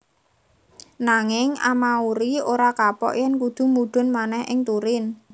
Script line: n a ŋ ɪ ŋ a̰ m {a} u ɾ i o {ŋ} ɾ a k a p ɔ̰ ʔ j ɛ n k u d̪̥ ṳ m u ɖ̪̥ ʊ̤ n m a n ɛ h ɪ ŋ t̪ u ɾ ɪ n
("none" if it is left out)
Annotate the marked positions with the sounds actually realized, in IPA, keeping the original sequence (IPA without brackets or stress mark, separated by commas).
a, none